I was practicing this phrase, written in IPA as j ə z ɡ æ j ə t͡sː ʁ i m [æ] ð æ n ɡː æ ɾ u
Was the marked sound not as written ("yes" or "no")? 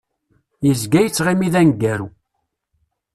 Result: yes